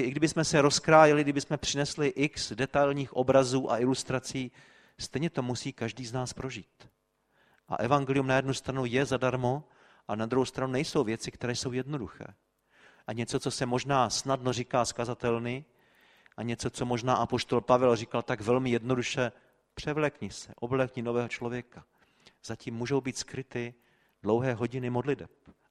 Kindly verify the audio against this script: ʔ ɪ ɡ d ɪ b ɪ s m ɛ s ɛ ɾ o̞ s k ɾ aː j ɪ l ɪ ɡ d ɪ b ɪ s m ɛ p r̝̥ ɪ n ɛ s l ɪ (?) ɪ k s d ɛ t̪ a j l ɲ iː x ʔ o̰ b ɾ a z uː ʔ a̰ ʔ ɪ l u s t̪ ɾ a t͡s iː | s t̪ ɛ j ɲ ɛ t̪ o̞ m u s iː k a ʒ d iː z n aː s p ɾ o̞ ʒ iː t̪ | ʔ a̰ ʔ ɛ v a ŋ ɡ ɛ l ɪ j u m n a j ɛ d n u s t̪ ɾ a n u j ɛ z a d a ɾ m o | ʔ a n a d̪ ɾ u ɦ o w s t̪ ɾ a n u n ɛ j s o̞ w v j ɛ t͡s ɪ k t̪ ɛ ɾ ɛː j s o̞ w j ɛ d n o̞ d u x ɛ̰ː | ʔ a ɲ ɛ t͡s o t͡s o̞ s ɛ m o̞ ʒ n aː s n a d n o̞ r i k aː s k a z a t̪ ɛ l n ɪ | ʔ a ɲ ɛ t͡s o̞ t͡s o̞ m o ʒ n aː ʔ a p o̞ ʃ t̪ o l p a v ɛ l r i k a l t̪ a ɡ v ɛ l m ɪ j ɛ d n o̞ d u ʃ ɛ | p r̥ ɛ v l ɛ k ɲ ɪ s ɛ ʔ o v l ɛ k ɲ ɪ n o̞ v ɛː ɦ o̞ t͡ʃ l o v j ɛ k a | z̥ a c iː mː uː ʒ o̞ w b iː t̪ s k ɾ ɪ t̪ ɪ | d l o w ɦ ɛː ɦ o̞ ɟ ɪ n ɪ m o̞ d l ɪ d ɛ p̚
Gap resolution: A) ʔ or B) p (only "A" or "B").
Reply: A